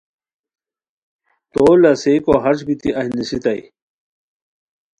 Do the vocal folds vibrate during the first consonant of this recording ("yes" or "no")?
no